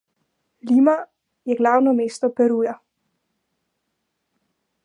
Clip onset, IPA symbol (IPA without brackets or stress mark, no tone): l